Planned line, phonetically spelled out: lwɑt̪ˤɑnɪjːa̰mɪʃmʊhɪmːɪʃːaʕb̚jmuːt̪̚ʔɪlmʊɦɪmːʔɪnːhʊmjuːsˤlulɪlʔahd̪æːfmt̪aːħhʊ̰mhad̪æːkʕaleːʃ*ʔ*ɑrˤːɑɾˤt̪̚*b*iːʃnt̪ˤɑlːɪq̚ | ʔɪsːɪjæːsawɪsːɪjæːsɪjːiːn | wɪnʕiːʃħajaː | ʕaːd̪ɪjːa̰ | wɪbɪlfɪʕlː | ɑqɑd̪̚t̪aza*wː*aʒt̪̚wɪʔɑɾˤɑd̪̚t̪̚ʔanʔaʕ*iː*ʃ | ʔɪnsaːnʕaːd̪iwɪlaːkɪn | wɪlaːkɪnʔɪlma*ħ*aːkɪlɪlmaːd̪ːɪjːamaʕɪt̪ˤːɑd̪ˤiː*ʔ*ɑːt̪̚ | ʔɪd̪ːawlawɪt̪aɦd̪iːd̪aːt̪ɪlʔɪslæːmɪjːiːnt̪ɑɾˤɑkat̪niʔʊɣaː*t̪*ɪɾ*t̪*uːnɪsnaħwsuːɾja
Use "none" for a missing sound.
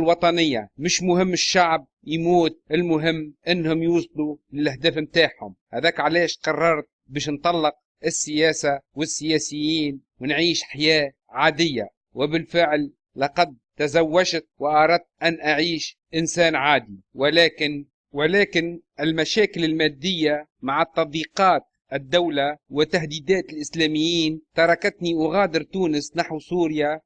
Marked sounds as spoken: q, b, wː, iː, ʃ, q, d̪, t̪

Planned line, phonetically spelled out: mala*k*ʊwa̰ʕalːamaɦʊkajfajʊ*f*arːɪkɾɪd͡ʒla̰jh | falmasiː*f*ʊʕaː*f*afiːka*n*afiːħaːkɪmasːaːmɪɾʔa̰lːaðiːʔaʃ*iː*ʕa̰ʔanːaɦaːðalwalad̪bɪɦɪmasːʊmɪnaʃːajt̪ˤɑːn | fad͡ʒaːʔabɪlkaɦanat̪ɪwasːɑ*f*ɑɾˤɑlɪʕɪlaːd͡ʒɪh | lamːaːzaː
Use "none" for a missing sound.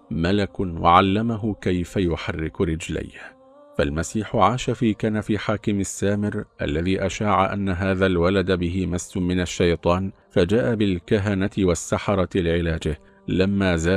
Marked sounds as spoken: k, ħ, ħ, ʃ, n, aː, ħ

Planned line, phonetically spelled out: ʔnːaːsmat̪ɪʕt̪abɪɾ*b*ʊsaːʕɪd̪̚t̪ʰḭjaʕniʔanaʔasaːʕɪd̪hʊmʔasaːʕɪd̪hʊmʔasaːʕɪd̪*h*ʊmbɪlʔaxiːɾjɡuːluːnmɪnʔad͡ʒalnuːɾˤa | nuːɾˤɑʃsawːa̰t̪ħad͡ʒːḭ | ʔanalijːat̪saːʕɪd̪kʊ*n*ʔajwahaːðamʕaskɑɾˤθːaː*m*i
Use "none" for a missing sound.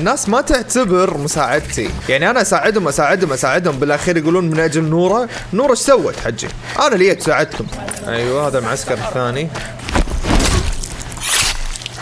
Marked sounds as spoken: m, h, m, n

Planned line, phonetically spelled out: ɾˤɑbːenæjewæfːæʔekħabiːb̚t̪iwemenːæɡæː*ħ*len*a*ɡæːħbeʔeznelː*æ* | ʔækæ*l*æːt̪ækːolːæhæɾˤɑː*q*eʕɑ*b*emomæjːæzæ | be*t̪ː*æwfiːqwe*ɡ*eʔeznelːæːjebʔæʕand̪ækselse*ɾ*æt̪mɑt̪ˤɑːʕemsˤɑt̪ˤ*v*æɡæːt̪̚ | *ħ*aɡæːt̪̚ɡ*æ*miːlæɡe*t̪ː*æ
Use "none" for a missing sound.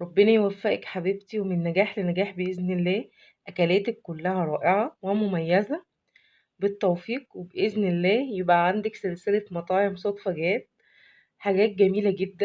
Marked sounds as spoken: ħ, æ, æː, l, ʔ, w, t̪ː, b, l, f, ħ, æ, d̪ː

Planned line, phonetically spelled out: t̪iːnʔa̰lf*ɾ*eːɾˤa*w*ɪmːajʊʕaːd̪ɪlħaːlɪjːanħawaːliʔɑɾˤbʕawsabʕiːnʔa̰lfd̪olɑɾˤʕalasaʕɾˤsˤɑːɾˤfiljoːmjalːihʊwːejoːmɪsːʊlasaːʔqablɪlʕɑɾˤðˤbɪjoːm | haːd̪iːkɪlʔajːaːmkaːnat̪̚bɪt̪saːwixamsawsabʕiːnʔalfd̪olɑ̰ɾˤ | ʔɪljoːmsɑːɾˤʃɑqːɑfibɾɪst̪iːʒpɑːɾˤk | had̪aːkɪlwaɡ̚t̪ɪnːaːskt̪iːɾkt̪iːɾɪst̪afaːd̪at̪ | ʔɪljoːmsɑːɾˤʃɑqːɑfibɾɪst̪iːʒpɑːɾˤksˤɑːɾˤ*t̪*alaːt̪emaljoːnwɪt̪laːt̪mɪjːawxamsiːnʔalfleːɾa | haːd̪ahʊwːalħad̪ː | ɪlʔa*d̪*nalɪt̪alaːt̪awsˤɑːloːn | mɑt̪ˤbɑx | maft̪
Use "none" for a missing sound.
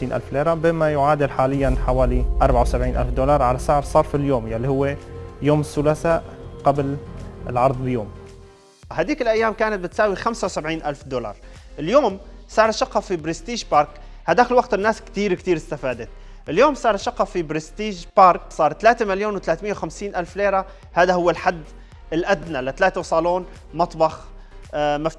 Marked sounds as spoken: l, b, t̪, d̪

